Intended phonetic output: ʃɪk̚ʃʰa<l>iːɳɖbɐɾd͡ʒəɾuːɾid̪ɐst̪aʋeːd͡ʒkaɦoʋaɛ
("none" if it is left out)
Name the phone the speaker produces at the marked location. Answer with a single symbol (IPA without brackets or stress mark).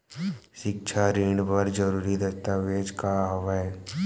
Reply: ɾ